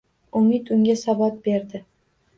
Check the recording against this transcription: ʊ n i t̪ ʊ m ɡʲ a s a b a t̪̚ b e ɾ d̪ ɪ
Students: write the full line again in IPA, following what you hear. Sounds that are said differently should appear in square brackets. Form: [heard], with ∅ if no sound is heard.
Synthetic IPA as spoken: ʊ [m] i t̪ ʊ [ŋ] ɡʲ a s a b a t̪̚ b e ɾ d̪ ɪ